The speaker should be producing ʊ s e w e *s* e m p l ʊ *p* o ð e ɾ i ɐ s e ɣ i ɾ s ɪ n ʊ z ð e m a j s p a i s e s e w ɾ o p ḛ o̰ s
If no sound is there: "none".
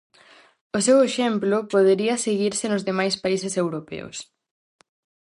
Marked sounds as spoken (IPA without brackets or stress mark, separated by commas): ʃ, p